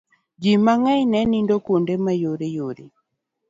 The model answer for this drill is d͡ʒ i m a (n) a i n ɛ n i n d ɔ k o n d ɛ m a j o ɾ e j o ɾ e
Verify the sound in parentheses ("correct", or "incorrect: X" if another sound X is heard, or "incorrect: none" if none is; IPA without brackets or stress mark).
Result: incorrect: ŋ